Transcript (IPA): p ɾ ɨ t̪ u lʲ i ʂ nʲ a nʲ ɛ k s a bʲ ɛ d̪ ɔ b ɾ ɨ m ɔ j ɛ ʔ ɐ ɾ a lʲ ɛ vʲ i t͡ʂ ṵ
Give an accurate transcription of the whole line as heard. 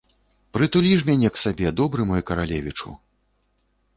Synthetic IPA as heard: p ɾ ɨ t̪ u lʲ i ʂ mʲ a nʲ ɛ k s a bʲ ɛ d̪ ɔ b ɾ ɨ m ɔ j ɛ k ɐ ɾ a lʲ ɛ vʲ i t͡ʂ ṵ